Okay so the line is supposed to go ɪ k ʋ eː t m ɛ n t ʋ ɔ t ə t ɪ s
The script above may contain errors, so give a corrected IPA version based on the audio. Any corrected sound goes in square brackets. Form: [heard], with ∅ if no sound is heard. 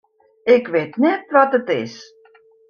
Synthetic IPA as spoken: ɪ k ʋ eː t [n] ɛ [∅] t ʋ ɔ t ə t ɪ s